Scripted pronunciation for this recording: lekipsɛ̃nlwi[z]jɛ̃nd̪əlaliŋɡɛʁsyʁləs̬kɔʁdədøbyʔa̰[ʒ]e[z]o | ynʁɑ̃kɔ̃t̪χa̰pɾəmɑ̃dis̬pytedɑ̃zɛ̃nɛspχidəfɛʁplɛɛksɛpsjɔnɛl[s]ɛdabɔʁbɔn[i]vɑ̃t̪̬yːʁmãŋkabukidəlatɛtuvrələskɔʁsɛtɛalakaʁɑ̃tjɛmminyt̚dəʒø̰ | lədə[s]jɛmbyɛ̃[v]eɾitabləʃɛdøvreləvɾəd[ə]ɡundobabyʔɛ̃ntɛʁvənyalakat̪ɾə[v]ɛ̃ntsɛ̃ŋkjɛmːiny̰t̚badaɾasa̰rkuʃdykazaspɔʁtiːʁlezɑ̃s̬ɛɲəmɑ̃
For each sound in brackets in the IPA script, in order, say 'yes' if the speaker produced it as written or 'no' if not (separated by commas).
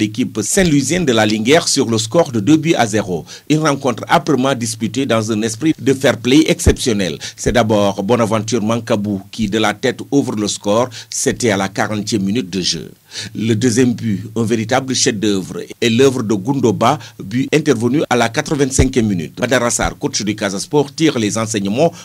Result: yes, no, no, yes, no, no, yes, yes, yes